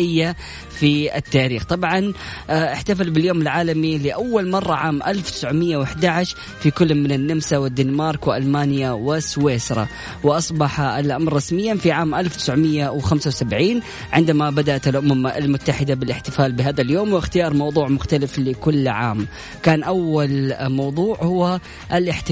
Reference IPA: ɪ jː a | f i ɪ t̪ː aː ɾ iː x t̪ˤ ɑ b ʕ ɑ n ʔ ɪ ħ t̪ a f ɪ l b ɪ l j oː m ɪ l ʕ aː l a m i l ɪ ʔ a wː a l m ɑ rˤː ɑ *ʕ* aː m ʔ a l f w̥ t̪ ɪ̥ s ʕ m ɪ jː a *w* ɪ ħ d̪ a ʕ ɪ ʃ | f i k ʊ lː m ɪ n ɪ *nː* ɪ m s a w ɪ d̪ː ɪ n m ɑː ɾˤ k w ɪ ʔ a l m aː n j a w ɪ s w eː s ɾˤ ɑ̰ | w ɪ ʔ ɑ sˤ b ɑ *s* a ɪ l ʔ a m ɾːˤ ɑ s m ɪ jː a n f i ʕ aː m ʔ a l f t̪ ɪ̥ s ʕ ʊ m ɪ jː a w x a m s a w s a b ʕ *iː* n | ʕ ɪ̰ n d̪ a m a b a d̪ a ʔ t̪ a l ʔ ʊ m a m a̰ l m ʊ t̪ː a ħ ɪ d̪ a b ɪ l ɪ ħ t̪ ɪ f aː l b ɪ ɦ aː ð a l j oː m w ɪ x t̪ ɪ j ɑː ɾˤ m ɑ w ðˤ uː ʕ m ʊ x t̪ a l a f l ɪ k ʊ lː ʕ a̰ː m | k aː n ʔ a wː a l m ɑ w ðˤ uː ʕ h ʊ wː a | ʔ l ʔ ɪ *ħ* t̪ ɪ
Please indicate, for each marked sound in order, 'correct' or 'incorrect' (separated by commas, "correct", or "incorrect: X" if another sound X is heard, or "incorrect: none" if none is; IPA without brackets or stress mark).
correct, correct, correct, incorrect: ħ, correct, correct